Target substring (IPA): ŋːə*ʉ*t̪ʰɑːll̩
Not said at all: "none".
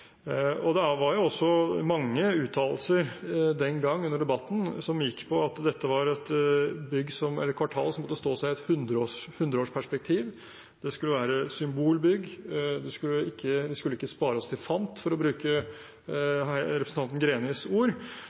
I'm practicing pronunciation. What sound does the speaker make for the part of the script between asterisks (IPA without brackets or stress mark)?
ʉː